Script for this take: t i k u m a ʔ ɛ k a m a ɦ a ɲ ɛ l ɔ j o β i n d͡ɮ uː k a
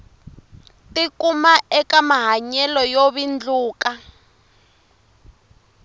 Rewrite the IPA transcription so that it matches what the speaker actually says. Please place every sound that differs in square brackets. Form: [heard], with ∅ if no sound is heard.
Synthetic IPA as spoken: t i k u m a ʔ ɛ k a m a ɦ a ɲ ɛ l ɔ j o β i n d͡ɮ uː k a